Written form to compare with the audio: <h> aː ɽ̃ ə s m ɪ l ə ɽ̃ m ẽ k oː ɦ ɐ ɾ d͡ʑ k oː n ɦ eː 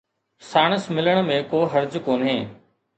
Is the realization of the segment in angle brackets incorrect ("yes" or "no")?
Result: yes